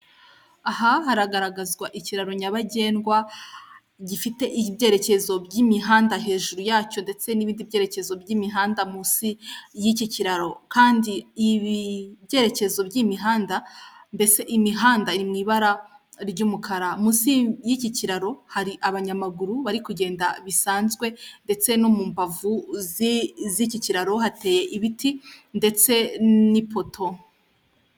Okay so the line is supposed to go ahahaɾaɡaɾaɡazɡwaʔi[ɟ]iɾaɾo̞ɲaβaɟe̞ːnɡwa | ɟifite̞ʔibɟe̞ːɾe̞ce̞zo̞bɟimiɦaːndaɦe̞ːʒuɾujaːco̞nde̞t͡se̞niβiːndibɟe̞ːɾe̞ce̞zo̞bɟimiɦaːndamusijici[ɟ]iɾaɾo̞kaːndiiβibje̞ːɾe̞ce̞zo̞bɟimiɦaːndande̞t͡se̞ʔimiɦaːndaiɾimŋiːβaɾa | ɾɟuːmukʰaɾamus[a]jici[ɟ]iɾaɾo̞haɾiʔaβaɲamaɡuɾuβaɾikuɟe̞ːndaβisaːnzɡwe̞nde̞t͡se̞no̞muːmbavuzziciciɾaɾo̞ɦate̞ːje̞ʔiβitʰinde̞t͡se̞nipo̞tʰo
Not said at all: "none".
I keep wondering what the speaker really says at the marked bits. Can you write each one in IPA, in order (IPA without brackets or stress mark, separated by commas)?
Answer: c, c, i, c